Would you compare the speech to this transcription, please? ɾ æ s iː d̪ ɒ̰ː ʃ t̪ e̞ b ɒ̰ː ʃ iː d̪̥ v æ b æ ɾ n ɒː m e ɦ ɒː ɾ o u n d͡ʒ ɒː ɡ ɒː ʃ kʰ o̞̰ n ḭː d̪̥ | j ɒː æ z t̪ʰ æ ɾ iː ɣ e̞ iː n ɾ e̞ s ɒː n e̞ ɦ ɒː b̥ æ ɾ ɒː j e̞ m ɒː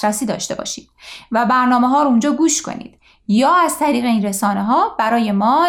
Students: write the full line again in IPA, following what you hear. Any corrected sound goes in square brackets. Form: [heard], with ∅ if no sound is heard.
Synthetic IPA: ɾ æ s iː d̪ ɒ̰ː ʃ t̪ e̞ b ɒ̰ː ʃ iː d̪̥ v æ b æ ɾ n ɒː m e ɦ ɒː ɾ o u n d͡ʒ ɒː ɡ [uː] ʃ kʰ o̞̰ n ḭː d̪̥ | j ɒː æ z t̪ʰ æ ɾ iː ɣ e̞ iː n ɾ e̞ s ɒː n e̞ ɦ ɒː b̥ æ ɾ ɒː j e̞ m ɒː